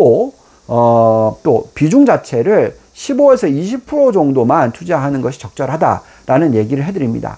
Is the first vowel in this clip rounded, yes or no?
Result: yes